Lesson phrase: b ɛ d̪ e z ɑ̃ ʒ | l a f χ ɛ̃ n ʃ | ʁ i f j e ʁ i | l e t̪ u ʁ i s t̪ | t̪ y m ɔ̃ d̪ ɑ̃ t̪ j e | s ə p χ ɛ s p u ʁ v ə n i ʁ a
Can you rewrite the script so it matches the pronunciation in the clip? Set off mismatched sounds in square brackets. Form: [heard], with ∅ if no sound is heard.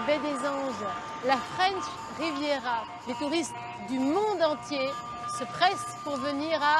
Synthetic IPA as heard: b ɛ d̪ e z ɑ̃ ʒ | l a f χ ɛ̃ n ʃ | ʁ i [v] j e ʁ [a] | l e t̪ u ʁ i s t̪ | [d̪] y m ɔ̃ d̪ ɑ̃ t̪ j e | s ə p χ ɛ s p u ʁ v ə n i ʁ a

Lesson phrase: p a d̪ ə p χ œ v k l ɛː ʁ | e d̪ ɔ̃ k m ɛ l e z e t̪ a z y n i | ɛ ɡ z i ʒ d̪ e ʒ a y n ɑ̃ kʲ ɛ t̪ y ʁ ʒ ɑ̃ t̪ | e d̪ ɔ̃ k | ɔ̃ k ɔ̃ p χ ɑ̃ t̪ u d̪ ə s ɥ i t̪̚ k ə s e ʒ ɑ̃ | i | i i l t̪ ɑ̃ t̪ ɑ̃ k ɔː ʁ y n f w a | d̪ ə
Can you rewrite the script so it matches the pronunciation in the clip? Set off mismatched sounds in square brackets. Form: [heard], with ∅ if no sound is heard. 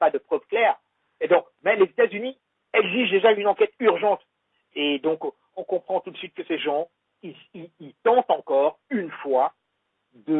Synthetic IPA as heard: p a d̪ ə p χ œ v k l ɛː ʁ | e d̪ ɔ̃ k m ɛ l e z e t̪ a z y n i | ɛ ɡ z i ʒ d̪ e ʒ a y n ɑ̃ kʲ ɛ t̪ y ʁ ʒ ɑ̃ t̪ | e d̪ ɔ̃ k | ɔ̃ k ɔ̃ p χ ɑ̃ t̪ u d̪ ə s ɥ i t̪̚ k ə s e ʒ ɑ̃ | i | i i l t̪ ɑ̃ t̪ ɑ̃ k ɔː ʁ y n f w a | d̪ ə

